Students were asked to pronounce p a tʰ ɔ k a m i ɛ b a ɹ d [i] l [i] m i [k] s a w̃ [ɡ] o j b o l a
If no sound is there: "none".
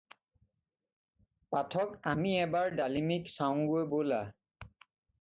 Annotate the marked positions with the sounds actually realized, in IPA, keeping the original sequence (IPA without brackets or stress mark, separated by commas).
a, i, k, ɡ